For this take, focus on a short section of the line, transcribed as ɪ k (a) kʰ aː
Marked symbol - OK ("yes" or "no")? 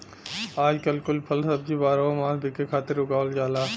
no